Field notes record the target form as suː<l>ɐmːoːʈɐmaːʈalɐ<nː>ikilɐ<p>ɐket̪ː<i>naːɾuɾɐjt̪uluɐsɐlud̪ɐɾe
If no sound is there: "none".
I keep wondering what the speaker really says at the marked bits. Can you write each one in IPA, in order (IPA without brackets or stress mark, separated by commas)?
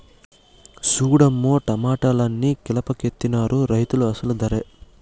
ɽ, nː, p, i